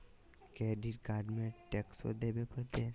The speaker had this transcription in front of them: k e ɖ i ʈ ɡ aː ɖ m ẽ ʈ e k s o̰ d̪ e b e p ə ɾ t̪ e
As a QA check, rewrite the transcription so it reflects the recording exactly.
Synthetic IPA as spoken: k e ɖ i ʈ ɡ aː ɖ m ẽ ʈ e k s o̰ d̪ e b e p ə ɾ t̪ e